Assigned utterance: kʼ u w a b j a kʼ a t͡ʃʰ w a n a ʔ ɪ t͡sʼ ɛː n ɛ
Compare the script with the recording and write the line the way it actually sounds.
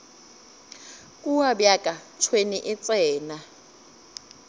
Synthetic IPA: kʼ u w a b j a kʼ a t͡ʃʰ w e n i ʔ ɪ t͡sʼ ɛː n a